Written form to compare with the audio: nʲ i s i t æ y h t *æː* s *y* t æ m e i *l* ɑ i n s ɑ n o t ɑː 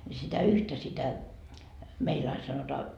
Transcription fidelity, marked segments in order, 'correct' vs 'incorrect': incorrect: æ, incorrect: i, correct

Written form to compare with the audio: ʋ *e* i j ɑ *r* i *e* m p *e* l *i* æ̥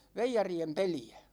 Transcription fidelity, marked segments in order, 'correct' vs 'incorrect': correct, correct, correct, correct, correct

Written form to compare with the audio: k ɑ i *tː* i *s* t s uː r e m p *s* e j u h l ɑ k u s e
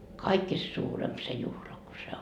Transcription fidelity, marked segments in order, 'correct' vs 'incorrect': incorrect: kː, correct, correct

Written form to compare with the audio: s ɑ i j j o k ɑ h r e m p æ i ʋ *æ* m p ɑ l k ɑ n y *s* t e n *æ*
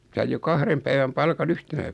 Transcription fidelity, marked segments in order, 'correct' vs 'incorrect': correct, incorrect: h, correct

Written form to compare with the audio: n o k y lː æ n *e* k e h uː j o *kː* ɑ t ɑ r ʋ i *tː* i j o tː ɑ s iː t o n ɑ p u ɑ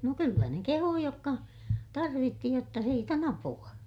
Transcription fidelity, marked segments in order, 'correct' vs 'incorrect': correct, correct, correct

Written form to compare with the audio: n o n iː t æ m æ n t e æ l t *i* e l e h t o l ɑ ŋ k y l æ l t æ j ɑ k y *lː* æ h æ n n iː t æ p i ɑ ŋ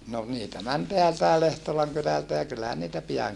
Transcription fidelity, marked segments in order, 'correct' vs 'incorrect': incorrect: æ, correct

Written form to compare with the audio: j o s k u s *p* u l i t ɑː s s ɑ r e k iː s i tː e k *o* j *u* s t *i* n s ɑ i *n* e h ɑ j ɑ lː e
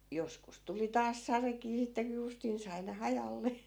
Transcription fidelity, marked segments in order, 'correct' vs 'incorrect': incorrect: t, incorrect: u, correct, correct, correct

